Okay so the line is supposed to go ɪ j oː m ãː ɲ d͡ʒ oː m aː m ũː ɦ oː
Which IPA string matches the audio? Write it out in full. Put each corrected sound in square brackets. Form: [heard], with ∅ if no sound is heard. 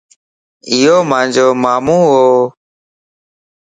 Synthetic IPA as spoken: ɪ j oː m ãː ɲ d͡ʒ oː m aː m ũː ɦ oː